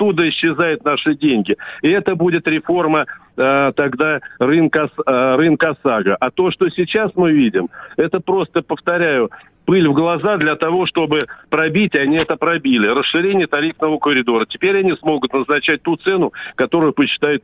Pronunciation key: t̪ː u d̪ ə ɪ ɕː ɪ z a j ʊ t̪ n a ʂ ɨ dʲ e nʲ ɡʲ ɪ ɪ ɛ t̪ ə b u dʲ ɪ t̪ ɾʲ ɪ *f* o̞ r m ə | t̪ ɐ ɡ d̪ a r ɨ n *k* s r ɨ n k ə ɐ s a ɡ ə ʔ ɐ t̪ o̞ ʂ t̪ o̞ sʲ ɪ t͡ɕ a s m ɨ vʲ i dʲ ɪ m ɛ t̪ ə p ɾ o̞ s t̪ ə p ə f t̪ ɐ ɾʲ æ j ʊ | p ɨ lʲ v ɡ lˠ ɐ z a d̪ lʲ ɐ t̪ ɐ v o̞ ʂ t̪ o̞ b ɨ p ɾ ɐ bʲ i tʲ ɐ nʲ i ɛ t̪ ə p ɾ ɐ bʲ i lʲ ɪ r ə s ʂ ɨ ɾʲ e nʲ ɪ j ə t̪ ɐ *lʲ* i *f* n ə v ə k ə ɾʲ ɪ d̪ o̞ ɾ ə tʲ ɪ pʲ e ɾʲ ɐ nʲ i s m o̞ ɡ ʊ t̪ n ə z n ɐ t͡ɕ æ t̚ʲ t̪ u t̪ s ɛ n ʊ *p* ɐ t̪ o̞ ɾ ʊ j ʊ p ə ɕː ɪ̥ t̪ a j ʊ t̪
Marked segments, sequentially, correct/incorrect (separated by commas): correct, correct, incorrect, correct, incorrect